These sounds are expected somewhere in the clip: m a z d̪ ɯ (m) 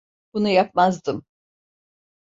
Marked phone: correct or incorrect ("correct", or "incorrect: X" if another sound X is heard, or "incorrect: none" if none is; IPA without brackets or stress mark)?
correct